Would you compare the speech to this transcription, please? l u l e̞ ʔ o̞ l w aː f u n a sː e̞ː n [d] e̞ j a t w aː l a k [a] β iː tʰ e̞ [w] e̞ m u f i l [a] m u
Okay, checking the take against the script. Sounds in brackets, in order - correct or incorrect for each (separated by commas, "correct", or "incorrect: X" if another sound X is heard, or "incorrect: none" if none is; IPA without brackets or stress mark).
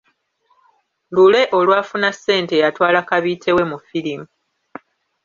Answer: incorrect: t, correct, correct, incorrect: i